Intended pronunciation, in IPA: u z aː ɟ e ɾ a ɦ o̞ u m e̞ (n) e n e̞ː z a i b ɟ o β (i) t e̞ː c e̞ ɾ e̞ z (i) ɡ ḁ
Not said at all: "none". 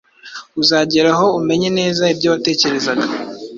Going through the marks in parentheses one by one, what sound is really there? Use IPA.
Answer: ɲ, a, a

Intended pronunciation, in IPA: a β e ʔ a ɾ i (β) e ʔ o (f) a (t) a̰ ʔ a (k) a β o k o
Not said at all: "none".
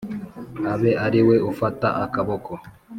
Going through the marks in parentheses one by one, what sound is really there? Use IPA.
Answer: w, f, t, k

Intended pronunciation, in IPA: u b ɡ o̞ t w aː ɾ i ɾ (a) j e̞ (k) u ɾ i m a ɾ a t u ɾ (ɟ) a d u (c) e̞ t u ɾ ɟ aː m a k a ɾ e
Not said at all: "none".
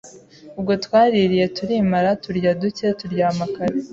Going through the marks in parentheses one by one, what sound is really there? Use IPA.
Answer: i, t, ɟ, c

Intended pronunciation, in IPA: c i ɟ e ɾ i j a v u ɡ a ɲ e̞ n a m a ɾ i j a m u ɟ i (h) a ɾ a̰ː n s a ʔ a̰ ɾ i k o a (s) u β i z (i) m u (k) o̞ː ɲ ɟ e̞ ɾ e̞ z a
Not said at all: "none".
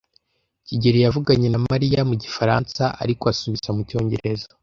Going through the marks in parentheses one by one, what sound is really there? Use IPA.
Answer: f, s, a, c

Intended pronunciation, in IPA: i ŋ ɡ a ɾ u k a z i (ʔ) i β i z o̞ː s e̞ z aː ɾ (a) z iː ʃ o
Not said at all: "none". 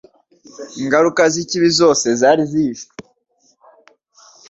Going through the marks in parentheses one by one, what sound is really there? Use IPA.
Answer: c, i

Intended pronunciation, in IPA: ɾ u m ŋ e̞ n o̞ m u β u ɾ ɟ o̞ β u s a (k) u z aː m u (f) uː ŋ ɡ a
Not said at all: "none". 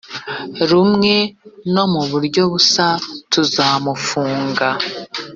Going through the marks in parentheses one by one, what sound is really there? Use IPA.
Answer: t, f

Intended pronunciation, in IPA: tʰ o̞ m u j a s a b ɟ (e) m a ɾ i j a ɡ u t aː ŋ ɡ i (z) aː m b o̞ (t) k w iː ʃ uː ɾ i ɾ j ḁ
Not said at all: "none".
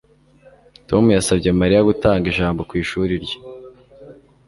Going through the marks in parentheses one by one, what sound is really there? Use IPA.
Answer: e, ʒ, none

